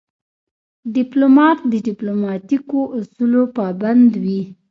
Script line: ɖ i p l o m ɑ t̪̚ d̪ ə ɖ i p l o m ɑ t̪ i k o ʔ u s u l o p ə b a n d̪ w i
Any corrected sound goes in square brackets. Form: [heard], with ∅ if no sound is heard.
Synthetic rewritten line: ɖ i p l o m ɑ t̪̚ d̪ ə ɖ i p l o m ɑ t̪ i k o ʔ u s u l o p [ɑ] b a n d̪ w i

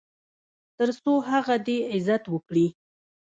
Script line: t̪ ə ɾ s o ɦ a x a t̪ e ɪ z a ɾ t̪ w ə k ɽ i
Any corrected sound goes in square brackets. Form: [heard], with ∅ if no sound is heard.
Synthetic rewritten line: t̪ ə ɾ s o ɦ a [ɣ] a [d̪] e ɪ z a [∅] t̪ w ə k ɽ i

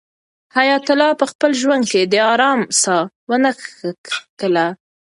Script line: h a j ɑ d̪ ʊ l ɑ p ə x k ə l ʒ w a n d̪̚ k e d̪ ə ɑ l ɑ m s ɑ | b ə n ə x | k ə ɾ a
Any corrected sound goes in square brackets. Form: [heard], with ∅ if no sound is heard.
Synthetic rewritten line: h a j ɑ [t̪] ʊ l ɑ p ə x [p] ə l ʒ w a n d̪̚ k e d̪ ə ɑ [ɾ] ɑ m s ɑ | [w] ə n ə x | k ə [l] a

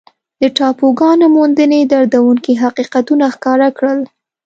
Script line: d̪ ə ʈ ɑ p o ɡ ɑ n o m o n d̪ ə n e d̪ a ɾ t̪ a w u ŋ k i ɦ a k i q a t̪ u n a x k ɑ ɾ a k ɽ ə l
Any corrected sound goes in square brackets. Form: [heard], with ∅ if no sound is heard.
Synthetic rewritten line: d̪ ə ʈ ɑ p o ɡ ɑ n o m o n d̪ ə n e d̪ a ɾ [d̪] a w u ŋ k i ɦ a [q] i q a t̪ u n a x k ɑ ɾ a k ɽ ə l

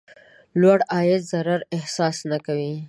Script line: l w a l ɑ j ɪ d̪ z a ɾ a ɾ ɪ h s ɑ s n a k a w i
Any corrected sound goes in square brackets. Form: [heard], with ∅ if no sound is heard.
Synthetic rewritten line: l w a [ɽ] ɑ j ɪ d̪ z a ɾ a ɾ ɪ h s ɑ s n a k a w i

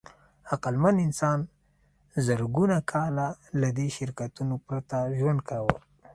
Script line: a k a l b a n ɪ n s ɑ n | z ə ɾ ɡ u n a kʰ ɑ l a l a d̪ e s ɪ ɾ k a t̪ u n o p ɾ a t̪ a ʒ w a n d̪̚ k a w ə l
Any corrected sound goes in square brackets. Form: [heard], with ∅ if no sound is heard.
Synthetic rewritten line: a [q] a l [m] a n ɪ n s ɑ n | z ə ɾ ɡ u n a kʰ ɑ l a l a d̪ e [ʃ] ɪ ɾ k a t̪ u n o p ɾ a t̪ a ʒ w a n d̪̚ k a w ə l

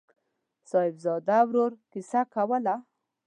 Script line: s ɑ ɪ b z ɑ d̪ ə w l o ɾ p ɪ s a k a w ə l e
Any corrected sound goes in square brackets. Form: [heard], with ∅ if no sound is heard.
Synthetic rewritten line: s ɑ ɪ b z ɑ d̪ [a] w [ɾ] o ɾ [k] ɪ s a k a w ə l [a]

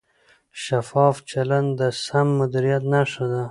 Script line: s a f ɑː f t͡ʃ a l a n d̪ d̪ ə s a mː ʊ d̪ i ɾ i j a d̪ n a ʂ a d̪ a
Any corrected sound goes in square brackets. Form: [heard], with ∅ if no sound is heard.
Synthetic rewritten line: [ʃ] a f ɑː f t͡ʃ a l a n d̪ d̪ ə s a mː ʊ d̪ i ɾ i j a [t̪] n a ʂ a d̪ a

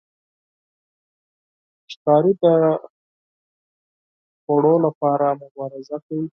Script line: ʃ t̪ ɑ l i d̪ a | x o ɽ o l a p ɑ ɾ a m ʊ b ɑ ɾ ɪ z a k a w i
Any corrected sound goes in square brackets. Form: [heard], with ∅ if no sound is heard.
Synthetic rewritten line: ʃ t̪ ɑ [ɾ] i d̪ [ə] | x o ɽ o l a p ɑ ɾ a m ʊ b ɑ ɾ ɪ z a k a w i

